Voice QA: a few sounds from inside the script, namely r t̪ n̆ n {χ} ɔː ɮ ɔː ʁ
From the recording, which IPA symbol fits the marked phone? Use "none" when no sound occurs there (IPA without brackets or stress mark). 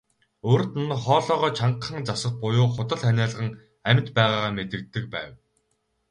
χ